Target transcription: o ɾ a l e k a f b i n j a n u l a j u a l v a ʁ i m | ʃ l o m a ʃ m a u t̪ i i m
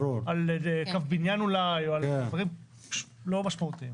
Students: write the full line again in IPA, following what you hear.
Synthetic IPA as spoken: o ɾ a l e k a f b i n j a n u l a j o a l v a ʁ i m | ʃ l o m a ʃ m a u t̪ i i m